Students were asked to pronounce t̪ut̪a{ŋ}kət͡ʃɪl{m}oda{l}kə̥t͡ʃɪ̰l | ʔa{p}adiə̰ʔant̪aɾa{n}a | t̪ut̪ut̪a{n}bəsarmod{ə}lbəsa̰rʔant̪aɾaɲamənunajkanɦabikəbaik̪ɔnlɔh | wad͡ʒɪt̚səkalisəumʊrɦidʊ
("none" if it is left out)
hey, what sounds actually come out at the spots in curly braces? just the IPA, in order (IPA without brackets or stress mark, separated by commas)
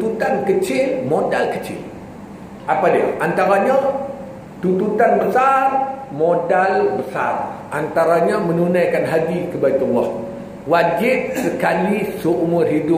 n, m, l, p, ɲ, n, a